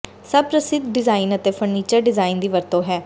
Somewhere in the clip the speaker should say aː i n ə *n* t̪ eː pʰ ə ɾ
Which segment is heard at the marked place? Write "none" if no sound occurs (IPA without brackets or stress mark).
none